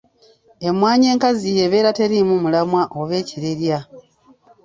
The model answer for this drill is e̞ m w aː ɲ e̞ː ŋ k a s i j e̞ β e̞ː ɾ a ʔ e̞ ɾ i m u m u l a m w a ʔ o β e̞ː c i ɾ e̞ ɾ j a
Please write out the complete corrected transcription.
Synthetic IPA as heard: e̞ m w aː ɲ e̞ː ŋ k a z i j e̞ β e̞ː ɾ a t e̞ ɾ i m u m u l a m w a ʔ o β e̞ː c i ɾ e̞ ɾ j a